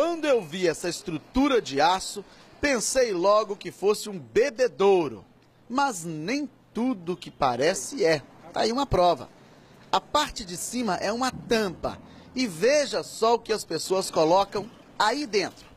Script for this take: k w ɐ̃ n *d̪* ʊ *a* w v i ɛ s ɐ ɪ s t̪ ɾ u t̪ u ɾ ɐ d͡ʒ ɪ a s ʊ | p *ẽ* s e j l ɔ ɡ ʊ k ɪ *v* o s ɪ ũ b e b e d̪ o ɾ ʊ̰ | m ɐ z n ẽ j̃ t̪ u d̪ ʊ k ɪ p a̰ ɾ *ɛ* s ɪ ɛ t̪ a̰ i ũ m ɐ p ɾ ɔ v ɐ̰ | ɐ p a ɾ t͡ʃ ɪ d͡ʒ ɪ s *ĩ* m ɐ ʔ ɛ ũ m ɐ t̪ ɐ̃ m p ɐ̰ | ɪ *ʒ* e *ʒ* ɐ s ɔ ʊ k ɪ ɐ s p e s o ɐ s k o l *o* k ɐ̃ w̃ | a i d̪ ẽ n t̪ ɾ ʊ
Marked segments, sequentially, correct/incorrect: correct, incorrect, correct, incorrect, correct, correct, incorrect, correct, incorrect

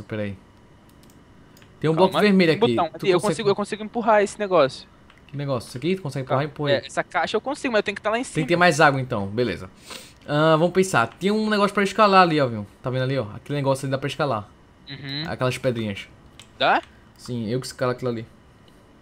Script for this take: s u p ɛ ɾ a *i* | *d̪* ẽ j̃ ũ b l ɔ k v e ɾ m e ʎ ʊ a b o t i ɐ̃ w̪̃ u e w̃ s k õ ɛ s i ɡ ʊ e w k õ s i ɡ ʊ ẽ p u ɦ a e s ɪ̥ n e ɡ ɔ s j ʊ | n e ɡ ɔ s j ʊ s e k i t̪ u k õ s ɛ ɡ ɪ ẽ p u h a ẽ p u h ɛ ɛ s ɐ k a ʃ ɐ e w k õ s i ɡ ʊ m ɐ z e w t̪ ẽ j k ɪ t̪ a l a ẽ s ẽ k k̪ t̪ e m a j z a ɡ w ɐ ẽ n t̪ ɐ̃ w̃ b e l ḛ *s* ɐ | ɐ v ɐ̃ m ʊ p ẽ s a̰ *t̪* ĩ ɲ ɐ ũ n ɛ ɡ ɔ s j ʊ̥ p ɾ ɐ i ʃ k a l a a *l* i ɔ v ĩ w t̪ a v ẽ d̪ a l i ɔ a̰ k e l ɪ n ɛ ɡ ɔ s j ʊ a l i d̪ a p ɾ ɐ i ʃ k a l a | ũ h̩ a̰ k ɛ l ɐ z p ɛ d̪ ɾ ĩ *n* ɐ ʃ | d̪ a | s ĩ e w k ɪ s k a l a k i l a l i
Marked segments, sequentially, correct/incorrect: correct, incorrect, incorrect, correct, correct, incorrect

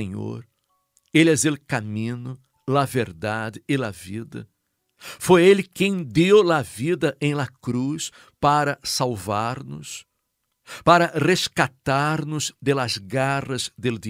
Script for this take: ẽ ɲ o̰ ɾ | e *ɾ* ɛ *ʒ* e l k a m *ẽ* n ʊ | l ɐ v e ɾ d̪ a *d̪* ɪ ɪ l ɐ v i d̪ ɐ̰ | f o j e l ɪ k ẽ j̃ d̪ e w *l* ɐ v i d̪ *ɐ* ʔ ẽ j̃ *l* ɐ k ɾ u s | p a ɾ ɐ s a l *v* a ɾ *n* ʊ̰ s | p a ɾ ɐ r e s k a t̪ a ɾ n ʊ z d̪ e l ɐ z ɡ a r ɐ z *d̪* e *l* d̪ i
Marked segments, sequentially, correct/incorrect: incorrect, incorrect, incorrect, correct, correct, correct, correct, correct, correct, correct, correct

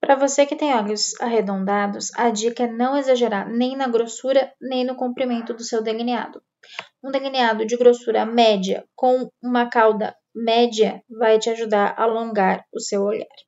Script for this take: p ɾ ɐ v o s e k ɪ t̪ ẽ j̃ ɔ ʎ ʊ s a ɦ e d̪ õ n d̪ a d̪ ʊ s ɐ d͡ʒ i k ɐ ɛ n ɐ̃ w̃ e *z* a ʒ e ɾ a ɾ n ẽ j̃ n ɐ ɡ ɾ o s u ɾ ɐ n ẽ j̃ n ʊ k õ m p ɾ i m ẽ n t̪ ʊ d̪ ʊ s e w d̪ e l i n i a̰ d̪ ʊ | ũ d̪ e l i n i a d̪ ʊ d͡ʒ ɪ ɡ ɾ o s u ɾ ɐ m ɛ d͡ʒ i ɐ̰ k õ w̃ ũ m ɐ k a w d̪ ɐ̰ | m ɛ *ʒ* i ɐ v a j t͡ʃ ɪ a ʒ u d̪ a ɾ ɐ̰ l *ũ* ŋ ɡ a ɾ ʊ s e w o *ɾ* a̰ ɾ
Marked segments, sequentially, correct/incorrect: correct, incorrect, incorrect, incorrect

